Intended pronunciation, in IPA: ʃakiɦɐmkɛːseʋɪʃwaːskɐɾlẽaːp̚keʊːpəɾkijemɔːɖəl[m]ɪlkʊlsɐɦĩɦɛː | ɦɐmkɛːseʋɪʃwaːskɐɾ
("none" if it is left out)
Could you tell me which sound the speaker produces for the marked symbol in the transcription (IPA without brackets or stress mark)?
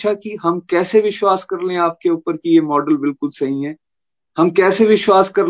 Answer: b